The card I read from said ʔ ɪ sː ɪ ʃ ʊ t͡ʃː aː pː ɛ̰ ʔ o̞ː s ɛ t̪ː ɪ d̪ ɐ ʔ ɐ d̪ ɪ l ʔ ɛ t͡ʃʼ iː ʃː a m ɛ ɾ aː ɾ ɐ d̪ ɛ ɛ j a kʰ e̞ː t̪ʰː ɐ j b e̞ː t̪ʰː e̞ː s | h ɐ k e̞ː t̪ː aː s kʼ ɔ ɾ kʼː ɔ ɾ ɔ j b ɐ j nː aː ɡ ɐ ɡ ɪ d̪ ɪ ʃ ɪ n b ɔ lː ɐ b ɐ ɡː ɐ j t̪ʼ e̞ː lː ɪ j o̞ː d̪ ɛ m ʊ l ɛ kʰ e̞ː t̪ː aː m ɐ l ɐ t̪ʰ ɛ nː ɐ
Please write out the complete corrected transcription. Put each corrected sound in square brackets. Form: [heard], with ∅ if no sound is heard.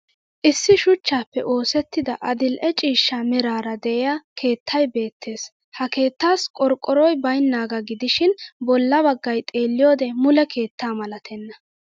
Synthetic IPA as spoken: ʔ ɪ sː ɪ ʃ ʊ t͡ʃː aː pː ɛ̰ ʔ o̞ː s ɛ t̪ː ɪ d̪ ɐ ʔ ɐ d̪ ɪ l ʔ ɛ t͡ʃʼ iː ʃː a m ɛ ɾ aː ɾ ɐ d̪ ɛ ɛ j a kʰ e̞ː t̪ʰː ɐ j b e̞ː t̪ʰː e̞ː s | h ɐ k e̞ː t̪ː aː s kʼ ɔ ɾ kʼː ɔ ɾ ɔ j b ɐ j nː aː ɡ ɐ ɡ ɪ d̪ ɪ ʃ ɪ n b ɔ lː ɐ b ɐ ɡː ɐ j t̪ʼ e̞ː lː ɪ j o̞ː d̪ ɛ m ʊ l ɛ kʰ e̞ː t̪ː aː m ɐ l ɐ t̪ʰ ɛ nː ɐ